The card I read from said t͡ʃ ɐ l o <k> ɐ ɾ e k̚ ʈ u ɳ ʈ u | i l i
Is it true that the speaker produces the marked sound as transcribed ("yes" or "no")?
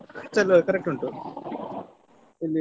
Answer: yes